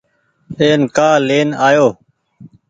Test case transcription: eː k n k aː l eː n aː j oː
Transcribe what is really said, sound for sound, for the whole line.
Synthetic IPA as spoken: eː n k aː l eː n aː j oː